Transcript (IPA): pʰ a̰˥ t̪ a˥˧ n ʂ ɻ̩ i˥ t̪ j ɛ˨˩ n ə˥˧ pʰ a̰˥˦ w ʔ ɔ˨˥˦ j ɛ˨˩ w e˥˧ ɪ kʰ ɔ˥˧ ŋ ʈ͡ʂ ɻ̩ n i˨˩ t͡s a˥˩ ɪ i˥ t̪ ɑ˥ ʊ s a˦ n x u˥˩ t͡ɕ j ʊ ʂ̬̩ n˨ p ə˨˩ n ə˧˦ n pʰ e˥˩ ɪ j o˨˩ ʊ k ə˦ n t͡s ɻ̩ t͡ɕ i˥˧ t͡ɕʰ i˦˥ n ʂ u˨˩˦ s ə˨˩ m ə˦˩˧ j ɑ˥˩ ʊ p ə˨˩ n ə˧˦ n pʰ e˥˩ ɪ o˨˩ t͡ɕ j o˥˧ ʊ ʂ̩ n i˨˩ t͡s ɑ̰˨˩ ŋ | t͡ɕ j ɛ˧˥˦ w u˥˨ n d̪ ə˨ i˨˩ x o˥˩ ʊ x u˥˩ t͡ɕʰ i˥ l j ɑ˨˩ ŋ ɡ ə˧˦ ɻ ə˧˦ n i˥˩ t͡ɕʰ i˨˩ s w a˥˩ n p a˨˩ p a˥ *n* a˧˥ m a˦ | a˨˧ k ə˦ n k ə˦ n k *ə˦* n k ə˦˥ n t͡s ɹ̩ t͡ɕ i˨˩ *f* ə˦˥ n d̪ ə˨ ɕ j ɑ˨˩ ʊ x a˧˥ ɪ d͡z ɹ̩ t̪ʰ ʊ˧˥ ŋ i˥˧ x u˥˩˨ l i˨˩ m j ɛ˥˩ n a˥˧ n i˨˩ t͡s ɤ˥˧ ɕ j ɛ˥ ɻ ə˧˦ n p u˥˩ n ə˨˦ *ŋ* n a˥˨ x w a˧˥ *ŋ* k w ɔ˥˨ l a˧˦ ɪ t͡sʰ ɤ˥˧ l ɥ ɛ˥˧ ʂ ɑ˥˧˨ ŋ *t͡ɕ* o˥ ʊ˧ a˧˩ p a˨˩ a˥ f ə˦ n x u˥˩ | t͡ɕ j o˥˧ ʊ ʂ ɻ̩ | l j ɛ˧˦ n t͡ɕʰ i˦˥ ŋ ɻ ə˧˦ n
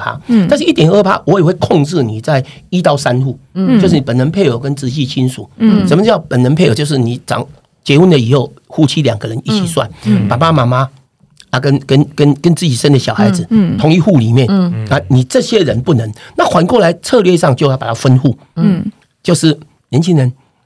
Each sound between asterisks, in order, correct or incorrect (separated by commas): incorrect, correct, incorrect, correct, incorrect, correct